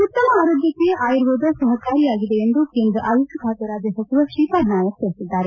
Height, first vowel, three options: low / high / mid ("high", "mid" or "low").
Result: high